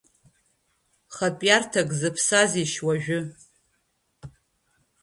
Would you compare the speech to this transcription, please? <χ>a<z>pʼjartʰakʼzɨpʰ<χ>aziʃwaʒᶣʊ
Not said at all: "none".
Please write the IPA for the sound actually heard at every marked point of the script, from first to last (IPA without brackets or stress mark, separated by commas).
χ, none, s